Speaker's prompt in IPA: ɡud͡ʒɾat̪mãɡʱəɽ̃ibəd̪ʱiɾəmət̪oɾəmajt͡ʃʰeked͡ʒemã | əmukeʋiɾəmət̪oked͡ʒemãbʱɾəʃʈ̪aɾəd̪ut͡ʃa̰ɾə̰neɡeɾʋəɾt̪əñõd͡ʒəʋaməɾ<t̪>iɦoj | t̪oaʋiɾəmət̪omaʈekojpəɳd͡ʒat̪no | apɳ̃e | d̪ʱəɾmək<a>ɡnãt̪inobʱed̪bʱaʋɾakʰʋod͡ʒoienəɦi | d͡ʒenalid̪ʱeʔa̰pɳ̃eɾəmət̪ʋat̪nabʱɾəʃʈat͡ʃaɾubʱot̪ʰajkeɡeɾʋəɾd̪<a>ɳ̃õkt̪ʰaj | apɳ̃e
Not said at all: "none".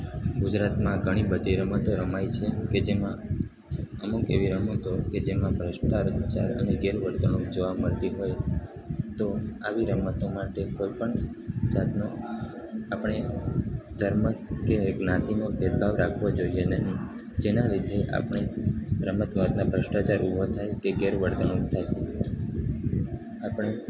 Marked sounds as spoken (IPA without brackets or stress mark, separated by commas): t̪, e, ə